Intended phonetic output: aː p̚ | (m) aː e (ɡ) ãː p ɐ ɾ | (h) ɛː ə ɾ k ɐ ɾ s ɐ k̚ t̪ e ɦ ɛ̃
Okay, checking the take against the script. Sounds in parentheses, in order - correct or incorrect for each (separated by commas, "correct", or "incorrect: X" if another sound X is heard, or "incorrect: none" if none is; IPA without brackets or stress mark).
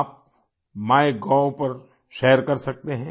correct, correct, incorrect: ʃ